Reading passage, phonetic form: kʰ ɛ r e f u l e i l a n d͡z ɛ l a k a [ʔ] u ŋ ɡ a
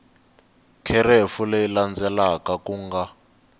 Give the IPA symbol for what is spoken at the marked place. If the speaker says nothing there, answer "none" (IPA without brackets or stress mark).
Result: k